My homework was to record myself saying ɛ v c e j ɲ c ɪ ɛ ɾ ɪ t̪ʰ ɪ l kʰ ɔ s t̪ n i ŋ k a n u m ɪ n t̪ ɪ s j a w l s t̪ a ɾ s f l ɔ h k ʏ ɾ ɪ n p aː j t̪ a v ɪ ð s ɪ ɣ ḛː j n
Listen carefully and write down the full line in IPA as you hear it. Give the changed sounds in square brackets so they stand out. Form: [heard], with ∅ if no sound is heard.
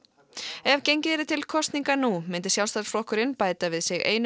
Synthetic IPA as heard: ɛ v c e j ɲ c ɪ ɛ ɾ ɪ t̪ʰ ɪ l kʰ ɔ s t̪ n i ŋ k a n u m ɪ n t̪ ɪ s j a w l s t̪ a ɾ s f l ɔ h k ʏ ɾ ɪ n p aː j t̪ a v ɪ ð s ɪ ɣ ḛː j n